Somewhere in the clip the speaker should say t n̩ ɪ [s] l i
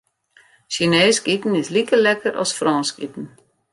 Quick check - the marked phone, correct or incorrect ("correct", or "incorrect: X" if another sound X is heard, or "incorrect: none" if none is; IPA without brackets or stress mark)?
correct